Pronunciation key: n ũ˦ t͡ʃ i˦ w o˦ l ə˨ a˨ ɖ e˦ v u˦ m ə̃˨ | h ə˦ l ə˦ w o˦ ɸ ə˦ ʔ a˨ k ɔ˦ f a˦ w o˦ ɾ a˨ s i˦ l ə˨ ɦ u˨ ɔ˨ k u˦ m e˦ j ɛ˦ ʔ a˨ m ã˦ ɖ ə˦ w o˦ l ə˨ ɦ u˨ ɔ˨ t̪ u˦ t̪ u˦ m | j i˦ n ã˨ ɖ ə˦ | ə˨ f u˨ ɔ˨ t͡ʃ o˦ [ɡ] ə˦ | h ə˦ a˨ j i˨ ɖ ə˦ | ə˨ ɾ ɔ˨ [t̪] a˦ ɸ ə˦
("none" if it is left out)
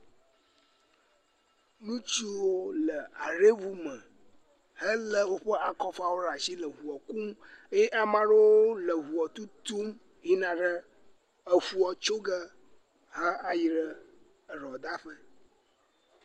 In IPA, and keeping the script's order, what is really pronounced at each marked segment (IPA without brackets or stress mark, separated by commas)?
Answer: ɡ, d̪